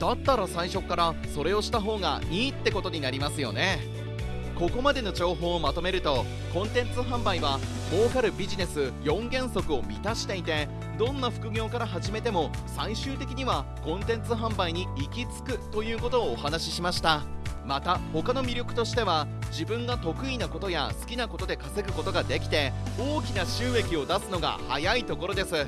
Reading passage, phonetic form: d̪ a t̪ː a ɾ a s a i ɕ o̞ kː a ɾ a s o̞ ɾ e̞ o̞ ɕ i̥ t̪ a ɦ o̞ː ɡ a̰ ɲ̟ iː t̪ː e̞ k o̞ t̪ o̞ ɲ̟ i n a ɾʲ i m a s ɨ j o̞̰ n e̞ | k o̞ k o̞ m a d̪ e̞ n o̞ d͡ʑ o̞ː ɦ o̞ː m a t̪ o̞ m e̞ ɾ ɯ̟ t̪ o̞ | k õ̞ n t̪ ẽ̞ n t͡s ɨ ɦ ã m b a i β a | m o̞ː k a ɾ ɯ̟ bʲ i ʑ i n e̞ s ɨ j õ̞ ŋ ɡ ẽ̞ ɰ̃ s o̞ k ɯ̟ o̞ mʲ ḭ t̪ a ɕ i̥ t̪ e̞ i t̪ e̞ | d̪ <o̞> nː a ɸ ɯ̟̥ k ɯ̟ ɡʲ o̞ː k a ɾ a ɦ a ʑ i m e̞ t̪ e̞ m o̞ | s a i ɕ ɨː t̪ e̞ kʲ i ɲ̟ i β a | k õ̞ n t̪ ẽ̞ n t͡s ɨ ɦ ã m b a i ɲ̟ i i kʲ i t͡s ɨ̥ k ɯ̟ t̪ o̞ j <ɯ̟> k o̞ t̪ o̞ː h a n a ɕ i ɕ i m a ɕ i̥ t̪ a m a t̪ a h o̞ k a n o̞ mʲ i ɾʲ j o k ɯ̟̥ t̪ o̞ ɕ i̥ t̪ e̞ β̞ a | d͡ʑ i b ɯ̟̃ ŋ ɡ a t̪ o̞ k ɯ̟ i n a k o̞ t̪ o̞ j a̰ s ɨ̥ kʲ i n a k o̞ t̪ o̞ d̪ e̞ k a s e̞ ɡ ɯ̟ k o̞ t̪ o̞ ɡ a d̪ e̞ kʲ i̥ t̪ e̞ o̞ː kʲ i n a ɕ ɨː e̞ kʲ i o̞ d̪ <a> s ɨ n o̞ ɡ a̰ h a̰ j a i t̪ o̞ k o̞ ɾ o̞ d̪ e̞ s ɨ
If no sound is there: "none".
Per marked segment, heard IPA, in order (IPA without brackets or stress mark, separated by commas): õ̞, ɯ̟ː, a